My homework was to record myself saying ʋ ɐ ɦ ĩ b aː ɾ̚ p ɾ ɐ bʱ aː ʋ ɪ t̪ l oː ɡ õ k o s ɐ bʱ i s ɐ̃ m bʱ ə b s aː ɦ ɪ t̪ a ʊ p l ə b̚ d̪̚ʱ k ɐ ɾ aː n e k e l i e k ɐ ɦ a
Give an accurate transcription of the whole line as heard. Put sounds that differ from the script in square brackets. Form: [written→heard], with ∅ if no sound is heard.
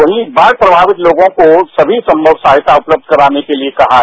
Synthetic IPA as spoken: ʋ ɐ ɦ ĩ b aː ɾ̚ p ɾ ɐ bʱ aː ʋ ɪ t̪ l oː ɡ õ k o s ɐ bʱ i s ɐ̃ m bʱ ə b s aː ɦ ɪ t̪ a ʊ p l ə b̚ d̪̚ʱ k ɐ ɾ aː n e k e l i e k ɐ ɦ a